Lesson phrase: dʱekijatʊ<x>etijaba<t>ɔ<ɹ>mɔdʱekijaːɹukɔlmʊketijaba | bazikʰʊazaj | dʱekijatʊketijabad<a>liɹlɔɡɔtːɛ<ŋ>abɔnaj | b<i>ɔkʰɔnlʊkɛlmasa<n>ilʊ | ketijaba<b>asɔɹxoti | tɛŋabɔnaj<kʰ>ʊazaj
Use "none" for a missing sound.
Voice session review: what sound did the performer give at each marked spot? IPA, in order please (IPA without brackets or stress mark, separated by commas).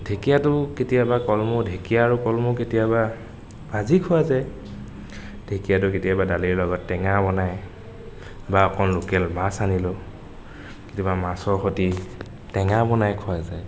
k, k, l, a, ŋ, a, n, m, kʰ